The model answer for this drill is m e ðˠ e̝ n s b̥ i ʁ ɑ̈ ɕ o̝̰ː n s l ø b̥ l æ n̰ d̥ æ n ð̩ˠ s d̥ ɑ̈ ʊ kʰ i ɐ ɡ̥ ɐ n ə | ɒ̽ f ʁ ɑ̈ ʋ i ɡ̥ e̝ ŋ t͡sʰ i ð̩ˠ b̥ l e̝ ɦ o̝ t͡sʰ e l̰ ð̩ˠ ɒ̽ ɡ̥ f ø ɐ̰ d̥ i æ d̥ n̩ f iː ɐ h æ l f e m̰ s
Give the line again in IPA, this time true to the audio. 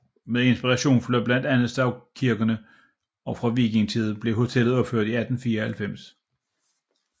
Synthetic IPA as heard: m e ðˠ e̝ n s b̥ i ʁ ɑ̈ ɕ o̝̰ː n f l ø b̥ l æ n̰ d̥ æ n ð̩ˠ s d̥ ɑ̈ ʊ kʰ i ɐ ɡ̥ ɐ n ə | ɒ̽ f ʁ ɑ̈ ʋ i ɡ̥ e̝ ŋ t͡sʰ i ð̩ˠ b̥ l e̝ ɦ o̝ t͡sʰ e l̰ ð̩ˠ ɒ̽ b̥ f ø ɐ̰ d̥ i æ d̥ n̩ f iː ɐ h æ l f e m̰ s